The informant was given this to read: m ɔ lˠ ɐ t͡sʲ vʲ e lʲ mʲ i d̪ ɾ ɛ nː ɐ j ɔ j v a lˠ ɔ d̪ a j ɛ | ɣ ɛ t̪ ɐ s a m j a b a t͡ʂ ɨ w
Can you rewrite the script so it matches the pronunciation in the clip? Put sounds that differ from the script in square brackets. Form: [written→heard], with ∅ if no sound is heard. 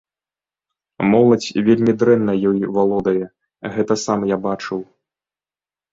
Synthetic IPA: m ɔ lˠ ɐ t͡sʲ vʲ e lʲ mʲ i d̪ ɾ ɛ nː ɐ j ɔ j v a lˠ ɔ d̪ [a→ɐ] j ɛ | ɣ ɛ t̪ ɐ s a m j a b a t͡ʂ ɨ w